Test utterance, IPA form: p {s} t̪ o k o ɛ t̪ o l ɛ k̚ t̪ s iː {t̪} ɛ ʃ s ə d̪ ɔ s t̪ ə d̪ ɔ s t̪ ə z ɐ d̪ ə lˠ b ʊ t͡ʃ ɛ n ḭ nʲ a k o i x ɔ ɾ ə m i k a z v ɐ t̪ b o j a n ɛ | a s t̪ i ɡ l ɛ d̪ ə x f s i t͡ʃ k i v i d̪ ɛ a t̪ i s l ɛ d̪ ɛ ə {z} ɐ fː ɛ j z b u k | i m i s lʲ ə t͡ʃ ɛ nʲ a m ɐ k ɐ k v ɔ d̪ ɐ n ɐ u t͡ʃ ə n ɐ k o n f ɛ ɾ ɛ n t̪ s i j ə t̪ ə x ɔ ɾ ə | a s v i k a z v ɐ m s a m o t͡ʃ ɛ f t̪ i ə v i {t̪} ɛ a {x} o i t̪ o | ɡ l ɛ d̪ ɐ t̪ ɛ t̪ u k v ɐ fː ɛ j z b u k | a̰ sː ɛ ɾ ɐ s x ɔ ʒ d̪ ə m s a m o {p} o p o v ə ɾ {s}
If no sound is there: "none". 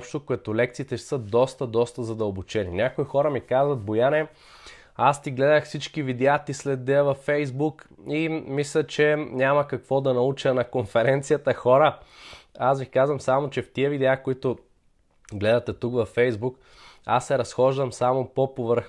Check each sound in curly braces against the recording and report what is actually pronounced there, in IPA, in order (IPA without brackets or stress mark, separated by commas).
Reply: ʃ, t̪, v, d̪, k, p, x